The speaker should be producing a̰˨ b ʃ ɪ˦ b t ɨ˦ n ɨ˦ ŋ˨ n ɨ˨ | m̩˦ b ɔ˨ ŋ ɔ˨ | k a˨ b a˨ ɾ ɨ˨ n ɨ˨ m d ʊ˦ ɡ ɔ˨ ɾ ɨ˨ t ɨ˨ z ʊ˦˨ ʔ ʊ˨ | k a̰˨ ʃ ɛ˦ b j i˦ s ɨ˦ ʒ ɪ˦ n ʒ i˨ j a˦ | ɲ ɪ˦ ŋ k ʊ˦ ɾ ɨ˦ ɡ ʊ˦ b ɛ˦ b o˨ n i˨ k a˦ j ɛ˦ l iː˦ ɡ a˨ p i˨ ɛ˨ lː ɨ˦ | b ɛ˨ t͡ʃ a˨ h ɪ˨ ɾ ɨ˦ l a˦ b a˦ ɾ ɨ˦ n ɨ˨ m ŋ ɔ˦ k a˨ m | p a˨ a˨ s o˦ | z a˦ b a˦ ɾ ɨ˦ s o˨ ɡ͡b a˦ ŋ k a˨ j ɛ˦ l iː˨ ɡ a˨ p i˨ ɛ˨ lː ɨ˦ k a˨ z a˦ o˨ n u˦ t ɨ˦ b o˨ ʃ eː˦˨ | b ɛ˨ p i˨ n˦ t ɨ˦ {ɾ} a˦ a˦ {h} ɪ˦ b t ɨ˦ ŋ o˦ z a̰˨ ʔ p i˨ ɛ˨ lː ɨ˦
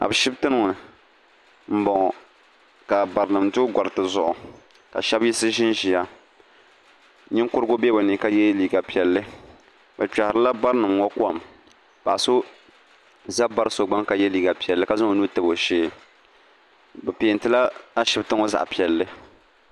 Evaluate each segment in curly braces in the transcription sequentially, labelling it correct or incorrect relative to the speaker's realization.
incorrect: l, incorrect: ʃ

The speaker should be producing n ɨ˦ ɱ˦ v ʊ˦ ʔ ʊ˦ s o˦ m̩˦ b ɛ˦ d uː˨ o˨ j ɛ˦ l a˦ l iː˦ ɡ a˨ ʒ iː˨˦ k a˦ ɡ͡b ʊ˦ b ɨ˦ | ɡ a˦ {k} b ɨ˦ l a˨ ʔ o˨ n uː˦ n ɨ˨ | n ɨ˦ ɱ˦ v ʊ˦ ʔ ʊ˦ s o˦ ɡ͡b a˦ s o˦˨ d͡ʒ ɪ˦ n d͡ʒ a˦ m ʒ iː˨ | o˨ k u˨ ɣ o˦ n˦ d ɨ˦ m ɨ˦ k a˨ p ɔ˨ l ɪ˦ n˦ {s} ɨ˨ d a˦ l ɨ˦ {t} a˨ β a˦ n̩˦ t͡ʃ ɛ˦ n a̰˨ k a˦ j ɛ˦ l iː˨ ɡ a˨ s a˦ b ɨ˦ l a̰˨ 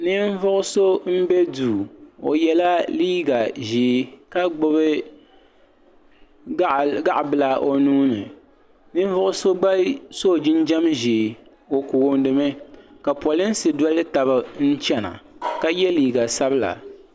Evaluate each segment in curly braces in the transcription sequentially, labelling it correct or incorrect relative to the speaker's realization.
incorrect: ʔ, correct, correct

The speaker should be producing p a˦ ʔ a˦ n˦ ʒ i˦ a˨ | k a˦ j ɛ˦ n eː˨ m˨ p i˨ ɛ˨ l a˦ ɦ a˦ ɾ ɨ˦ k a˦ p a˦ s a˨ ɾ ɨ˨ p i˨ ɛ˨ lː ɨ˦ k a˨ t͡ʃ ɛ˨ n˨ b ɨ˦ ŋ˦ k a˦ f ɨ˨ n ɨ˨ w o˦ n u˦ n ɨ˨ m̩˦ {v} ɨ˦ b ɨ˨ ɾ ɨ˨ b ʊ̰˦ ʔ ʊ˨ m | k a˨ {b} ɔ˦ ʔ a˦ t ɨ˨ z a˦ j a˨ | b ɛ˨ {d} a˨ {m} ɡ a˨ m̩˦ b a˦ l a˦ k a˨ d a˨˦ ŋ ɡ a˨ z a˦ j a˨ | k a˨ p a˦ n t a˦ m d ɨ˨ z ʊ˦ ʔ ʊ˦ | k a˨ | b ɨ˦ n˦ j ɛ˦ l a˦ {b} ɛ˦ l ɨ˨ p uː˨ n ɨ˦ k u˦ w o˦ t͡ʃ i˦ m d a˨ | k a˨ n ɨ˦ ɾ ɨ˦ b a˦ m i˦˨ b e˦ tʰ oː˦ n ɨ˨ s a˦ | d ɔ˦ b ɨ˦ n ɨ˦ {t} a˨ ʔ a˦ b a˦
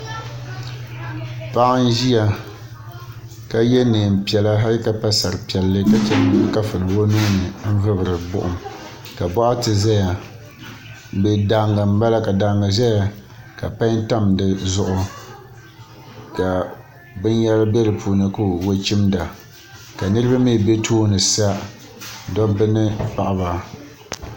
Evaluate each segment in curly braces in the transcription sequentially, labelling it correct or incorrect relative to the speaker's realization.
correct, correct, correct, incorrect: ŋ, correct, incorrect: p

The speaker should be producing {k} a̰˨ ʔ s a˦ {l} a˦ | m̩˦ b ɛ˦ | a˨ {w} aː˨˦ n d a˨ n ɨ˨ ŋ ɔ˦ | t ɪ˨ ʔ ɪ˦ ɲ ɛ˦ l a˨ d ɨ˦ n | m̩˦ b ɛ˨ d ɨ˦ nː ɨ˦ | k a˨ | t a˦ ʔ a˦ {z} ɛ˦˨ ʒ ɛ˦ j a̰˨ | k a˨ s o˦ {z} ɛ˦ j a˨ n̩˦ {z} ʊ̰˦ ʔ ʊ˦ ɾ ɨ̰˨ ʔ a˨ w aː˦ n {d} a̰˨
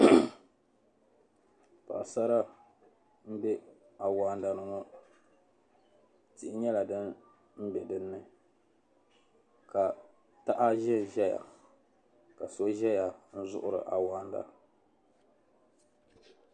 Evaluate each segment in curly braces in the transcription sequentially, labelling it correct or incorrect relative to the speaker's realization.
incorrect: p, incorrect: ɾ, correct, incorrect: ʒ, incorrect: ʒ, correct, correct

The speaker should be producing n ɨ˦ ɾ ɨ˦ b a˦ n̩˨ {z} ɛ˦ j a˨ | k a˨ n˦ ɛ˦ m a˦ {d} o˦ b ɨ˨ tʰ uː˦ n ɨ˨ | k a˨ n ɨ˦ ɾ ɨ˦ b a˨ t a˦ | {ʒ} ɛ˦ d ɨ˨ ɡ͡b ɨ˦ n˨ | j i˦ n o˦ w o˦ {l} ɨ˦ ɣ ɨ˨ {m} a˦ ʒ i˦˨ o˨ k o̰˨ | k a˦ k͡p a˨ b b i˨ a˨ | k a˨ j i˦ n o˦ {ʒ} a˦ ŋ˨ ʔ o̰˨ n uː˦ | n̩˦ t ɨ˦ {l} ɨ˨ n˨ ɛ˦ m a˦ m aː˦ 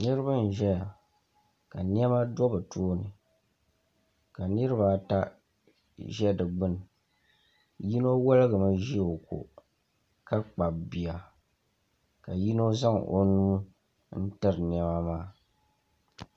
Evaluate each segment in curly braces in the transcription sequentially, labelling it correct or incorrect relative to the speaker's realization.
incorrect: ʒ, correct, correct, correct, correct, incorrect: z, incorrect: ɾ

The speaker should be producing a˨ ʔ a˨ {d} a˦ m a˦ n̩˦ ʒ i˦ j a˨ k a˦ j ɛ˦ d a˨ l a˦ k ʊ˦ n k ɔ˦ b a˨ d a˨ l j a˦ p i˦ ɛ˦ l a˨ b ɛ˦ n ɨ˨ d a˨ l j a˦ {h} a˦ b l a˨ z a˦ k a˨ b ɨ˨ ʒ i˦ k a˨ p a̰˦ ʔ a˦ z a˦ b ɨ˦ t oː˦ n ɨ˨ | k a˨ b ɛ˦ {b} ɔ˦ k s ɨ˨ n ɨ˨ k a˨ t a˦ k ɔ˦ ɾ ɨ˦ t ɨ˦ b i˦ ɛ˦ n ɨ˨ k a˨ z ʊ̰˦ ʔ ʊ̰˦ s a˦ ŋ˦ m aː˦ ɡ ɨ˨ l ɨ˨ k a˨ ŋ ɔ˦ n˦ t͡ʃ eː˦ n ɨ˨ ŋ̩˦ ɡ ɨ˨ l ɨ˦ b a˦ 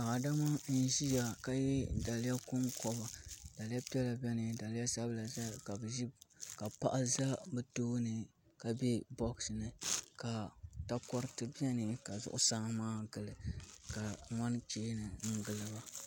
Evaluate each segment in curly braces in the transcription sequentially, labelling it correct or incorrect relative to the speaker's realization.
correct, incorrect: s, correct

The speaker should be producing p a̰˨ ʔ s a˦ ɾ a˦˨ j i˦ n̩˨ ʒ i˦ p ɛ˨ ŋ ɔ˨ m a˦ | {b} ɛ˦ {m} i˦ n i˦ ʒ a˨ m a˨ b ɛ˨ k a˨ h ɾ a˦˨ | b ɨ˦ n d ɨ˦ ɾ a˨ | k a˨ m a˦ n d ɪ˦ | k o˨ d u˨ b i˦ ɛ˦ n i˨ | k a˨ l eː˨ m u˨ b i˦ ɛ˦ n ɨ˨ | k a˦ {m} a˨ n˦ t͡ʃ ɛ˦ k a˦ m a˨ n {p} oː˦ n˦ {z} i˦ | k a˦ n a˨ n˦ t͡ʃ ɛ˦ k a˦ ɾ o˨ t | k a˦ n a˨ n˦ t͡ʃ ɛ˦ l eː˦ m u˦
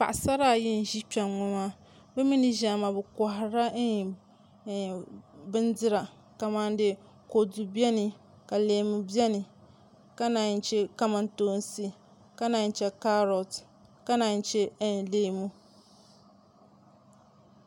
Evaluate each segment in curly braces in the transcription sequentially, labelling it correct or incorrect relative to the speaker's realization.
correct, correct, incorrect: n, incorrect: t, incorrect: s

